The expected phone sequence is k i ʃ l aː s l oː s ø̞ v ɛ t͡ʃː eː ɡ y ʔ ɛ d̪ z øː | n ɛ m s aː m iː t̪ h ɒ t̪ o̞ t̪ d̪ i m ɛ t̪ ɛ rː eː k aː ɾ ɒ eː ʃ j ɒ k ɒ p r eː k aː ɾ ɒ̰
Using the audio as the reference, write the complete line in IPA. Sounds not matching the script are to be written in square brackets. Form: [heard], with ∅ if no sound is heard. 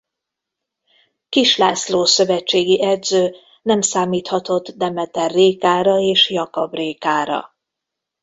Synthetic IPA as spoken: k i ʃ l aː s l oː s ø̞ v ɛ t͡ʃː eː ɡ [i] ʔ ɛ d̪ z øː | n ɛ m s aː m iː t̪ h ɒ t̪ o̞ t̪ d̪ [ɛ] m ɛ t̪ ɛ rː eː k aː ɾ ɒ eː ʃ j ɒ k ɒ [b] r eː k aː ɾ ɒ̰